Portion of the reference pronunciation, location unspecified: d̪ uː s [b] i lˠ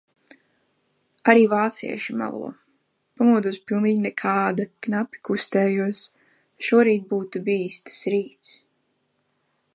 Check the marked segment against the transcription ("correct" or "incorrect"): incorrect